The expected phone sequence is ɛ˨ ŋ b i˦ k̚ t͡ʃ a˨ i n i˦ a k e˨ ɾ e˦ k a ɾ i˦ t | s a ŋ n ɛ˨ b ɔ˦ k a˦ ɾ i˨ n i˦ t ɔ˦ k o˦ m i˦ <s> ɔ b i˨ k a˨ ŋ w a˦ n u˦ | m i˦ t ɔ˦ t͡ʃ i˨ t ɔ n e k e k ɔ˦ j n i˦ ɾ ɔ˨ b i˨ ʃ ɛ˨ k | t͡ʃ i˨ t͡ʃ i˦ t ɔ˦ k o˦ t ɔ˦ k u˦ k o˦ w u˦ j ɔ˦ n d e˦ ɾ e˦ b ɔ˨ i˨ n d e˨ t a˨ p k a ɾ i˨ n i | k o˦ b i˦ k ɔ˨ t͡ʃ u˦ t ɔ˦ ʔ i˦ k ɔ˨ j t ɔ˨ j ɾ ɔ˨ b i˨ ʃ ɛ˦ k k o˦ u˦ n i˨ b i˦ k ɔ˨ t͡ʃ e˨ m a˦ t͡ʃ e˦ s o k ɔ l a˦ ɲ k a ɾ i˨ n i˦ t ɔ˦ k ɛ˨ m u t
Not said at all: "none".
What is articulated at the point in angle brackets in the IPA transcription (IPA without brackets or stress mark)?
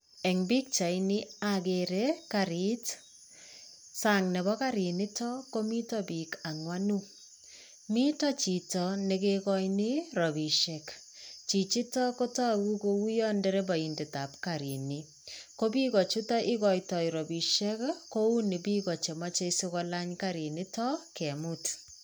t